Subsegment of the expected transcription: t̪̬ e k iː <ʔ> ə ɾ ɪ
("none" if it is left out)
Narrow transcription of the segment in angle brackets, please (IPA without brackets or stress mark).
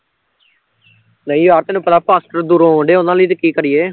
k